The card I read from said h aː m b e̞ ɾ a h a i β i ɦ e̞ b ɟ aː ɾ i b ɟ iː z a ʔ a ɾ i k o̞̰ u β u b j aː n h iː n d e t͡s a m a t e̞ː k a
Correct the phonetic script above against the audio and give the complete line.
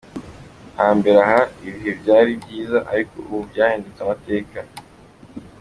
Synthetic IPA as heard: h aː m b e̞ ɾ a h a i β i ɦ e̞ b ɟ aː ɾ i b ɟ iː z a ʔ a ɾ i k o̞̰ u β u b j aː h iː n d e t͡s a m a t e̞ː k a